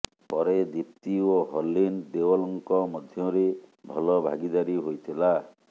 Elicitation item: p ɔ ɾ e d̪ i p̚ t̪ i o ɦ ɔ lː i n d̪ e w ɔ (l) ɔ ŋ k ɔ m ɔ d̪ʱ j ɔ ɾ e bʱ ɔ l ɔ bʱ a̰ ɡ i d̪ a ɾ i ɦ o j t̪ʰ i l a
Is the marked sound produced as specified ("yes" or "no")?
yes